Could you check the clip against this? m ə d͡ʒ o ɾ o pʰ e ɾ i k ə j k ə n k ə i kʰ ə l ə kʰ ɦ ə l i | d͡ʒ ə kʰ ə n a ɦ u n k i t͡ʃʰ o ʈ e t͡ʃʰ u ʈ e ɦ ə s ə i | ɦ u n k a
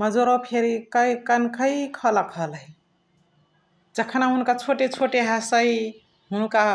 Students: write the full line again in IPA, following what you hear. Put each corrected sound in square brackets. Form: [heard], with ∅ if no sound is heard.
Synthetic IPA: m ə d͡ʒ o ɾ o pʰ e ɾ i k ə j k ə n k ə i kʰ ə l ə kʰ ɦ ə l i | d͡ʒ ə kʰ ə n a ɦ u n k [a] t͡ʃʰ o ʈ e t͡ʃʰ [o] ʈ e ɦ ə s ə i | ɦ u n k a